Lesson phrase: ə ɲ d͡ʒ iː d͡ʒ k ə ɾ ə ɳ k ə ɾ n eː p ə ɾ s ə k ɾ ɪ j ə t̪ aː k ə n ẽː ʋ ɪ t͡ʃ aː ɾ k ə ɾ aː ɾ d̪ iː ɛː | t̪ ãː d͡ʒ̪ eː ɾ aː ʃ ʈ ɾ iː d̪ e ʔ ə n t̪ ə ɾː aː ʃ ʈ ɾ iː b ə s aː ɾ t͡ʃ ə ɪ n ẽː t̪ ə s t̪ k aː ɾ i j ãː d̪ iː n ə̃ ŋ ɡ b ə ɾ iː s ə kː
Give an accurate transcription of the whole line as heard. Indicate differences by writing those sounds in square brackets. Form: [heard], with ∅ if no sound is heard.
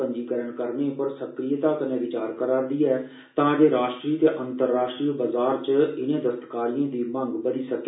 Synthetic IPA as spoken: ə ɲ d͡ʒ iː [∅] k ə ɾ ə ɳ k ə ɾ n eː p ə ɾ s ə k ɾ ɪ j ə t̪ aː k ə n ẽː ʋ ɪ t͡ʃ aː ɾ k ə ɾ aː ɾ d̪ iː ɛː | t̪ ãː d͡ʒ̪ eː ɾ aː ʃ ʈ ɾ iː [t̪] e ʔ ə n t̪ ə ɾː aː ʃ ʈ ɾ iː b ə [z] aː ɾ t͡ʃ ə ɪ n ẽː [d̪] ə s t̪ k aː ɾ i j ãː d̪ iː [m] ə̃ ŋ ɡ b ə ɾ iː s ə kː